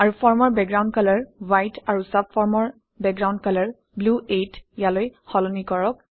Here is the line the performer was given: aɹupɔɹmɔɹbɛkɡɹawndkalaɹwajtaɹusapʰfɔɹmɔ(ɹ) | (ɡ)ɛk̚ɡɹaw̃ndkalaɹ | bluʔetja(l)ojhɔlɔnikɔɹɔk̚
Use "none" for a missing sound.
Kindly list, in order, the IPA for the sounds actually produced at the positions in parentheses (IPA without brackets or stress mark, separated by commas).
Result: ɹ, b, l